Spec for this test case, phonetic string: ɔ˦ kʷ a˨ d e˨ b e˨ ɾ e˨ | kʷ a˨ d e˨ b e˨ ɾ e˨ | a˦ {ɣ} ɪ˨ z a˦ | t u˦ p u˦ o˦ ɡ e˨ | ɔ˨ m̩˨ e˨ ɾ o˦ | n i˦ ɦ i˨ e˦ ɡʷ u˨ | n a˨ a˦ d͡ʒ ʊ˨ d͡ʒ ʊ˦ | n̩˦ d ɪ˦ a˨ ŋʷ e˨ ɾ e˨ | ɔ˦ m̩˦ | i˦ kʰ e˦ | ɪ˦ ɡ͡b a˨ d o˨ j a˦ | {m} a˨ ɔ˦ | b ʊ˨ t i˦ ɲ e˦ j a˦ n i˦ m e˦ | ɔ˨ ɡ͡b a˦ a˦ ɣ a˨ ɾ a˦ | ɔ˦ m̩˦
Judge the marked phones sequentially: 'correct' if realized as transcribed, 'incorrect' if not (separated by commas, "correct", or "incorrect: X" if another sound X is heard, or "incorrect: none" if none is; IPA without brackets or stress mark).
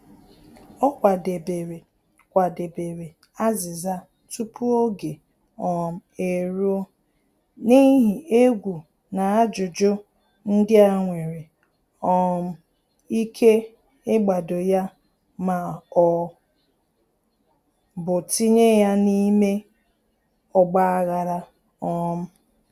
incorrect: z, correct